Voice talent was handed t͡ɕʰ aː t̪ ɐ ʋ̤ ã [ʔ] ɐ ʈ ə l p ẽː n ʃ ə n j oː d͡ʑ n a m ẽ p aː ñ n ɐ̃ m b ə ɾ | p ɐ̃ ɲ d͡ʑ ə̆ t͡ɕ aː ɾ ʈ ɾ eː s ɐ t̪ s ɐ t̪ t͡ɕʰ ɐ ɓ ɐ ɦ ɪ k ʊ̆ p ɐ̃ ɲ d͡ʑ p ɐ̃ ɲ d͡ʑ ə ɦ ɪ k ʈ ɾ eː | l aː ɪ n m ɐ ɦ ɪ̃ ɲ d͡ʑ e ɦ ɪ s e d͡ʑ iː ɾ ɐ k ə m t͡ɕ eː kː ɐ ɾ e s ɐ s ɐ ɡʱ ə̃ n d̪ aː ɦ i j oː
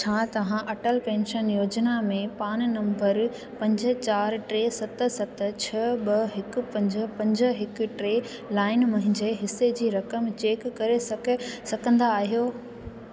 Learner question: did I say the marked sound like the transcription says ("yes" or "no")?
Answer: yes